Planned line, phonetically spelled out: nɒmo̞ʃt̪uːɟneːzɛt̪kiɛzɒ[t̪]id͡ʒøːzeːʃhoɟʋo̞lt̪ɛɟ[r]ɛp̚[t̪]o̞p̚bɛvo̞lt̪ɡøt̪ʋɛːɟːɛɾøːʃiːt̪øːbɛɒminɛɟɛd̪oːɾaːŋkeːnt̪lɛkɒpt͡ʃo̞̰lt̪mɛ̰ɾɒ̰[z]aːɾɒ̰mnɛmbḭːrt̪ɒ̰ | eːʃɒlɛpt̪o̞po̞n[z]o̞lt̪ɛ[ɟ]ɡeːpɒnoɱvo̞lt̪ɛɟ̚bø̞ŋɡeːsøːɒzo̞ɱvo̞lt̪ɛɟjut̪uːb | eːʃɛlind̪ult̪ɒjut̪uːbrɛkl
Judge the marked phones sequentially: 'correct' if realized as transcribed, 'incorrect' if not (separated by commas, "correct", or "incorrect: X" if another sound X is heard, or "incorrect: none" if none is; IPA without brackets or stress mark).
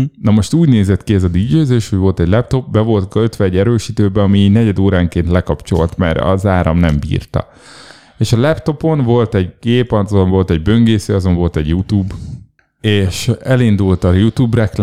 incorrect: d̪, incorrect: l, correct, correct, incorrect: v, correct